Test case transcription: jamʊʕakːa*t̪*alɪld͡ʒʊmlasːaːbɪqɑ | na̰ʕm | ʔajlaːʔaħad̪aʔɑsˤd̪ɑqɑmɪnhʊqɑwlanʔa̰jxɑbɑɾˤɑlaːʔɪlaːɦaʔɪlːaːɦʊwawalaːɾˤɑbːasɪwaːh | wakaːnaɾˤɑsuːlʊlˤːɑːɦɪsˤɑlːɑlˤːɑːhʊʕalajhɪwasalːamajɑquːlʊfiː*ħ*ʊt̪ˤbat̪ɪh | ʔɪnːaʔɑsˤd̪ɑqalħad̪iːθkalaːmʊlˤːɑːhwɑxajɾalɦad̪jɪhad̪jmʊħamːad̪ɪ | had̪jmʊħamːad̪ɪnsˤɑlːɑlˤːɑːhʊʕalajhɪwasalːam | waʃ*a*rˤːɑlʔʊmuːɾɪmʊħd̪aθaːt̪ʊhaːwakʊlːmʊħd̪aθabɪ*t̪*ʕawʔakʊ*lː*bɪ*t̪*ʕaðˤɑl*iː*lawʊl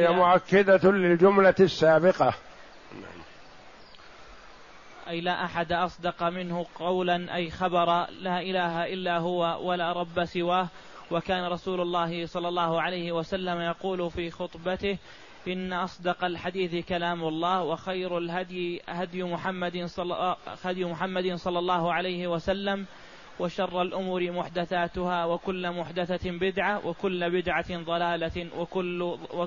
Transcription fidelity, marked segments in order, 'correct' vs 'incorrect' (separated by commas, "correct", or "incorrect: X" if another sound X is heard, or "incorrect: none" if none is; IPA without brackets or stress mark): incorrect: d̪, incorrect: x, incorrect: ɑ, incorrect: d̪, correct, incorrect: d̪, incorrect: aː